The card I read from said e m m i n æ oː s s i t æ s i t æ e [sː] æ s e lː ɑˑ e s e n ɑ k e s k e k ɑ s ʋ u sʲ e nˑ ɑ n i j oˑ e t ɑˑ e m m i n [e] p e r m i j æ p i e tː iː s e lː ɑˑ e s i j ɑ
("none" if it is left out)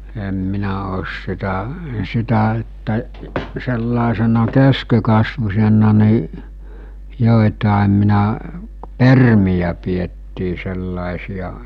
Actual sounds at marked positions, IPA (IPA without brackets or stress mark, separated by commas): tː, æ